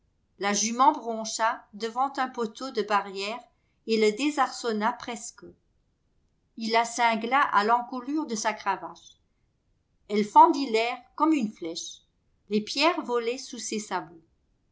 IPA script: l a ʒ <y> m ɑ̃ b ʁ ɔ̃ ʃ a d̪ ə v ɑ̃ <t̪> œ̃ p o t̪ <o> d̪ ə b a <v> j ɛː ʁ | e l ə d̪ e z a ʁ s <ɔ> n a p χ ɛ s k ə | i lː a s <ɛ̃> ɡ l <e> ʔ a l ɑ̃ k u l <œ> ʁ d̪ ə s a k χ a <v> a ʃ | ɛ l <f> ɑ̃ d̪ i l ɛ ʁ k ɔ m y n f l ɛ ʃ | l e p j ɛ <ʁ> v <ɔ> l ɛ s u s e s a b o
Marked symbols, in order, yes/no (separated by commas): yes, yes, yes, no, yes, yes, no, no, yes, yes, yes, yes